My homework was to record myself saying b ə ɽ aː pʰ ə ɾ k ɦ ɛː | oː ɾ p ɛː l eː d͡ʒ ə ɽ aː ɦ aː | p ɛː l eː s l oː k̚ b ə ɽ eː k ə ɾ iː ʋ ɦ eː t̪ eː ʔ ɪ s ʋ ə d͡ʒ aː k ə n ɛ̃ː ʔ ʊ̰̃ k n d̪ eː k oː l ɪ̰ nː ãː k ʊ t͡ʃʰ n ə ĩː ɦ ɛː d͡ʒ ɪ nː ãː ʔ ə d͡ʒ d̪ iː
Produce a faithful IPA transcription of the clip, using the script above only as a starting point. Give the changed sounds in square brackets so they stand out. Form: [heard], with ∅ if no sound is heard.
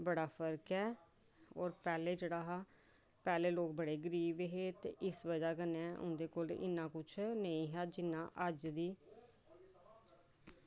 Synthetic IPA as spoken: b ə ɽ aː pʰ ə ɾ k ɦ ɛː | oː ɾ p ɛː l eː d͡ʒ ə ɽ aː ɦ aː | p ɛː l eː [∅] l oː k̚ b ə ɽ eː [ɡ] ə ɾ iː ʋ ɦ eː t̪ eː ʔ ɪ s ʋ ə d͡ʒ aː k ə n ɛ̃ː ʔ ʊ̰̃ [∅] n d̪ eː k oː l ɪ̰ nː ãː k ʊ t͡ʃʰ n ə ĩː ɦ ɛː d͡ʒ ɪ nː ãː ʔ ə d͡ʒ d̪ iː